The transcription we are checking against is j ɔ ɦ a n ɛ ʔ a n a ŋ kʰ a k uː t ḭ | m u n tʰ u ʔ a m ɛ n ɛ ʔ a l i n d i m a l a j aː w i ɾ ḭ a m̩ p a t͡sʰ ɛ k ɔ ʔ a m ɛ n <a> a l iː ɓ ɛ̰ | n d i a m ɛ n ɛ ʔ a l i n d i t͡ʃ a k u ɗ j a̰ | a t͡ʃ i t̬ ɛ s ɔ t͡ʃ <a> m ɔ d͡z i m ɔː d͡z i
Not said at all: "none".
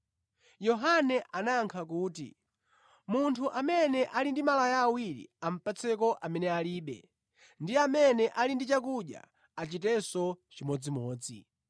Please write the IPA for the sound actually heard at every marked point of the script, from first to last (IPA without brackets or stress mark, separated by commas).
ɛ, i